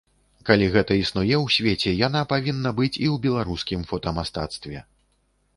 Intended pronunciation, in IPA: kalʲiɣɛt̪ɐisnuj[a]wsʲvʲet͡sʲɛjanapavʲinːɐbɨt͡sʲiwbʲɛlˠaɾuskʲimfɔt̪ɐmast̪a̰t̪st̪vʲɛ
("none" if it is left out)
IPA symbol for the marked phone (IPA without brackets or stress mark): ɛ